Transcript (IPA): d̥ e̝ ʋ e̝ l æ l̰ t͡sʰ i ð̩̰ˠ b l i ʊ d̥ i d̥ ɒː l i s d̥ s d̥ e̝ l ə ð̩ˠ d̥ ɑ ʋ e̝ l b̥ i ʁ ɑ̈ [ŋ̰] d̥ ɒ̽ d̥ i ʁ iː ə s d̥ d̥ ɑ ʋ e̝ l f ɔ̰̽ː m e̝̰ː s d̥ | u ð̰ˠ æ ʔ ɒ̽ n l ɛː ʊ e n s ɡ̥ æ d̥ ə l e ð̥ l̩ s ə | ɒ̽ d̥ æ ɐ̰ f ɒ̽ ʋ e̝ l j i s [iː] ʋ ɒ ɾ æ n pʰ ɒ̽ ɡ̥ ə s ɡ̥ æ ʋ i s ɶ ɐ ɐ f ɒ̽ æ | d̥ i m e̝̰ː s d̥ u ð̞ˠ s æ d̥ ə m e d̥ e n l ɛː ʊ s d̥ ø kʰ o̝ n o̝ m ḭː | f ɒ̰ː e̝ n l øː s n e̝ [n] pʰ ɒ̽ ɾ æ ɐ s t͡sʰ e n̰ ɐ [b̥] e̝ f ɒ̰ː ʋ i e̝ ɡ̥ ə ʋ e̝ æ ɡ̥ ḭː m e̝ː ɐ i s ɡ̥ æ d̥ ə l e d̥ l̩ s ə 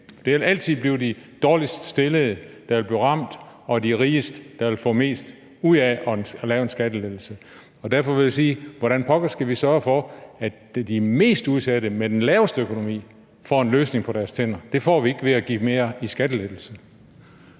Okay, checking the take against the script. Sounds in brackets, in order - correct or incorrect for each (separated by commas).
incorrect, correct, incorrect, incorrect